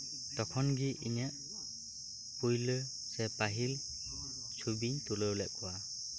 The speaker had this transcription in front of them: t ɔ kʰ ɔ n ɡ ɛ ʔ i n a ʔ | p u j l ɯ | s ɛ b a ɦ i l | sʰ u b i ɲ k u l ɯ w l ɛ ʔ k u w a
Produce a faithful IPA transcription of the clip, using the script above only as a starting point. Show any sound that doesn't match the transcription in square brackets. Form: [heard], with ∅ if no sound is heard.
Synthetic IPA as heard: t ɔ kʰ ɔ n ɡ [i] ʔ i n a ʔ | p u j l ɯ | s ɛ [p] a ɦ i l | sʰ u b i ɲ [t] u l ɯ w l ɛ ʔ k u w a